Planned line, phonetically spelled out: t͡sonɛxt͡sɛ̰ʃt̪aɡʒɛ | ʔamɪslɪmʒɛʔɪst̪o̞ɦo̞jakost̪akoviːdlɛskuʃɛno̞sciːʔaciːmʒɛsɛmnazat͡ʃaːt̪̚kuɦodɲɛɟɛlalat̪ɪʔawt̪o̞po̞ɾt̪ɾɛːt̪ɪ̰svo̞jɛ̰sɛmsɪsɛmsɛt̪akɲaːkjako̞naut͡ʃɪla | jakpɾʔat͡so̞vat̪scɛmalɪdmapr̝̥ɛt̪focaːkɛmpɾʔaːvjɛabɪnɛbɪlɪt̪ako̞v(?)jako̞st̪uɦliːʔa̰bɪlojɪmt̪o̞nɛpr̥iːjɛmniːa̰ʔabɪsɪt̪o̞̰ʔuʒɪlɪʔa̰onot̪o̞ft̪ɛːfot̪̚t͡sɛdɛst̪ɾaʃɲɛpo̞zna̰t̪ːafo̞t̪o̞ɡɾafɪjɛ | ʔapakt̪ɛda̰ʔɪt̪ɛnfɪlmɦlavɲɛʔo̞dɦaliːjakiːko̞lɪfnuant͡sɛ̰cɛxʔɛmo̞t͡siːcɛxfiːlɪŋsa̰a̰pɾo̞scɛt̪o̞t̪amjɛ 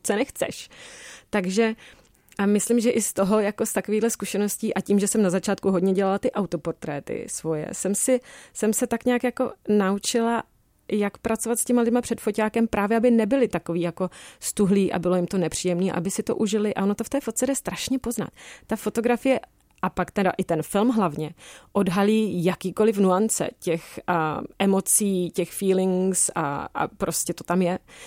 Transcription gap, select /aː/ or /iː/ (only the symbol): iː